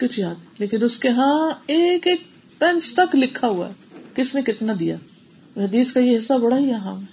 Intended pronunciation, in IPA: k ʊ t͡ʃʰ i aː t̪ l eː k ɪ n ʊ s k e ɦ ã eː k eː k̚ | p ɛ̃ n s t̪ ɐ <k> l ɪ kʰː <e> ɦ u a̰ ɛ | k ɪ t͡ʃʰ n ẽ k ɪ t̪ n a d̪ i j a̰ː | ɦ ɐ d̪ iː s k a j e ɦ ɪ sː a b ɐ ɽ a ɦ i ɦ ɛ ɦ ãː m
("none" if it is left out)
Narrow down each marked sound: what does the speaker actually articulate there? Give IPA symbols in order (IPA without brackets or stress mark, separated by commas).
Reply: k, a